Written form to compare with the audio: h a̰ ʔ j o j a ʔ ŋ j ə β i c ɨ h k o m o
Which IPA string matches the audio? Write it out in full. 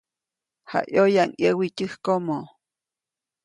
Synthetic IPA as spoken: h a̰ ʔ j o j a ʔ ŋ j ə w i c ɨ h k o m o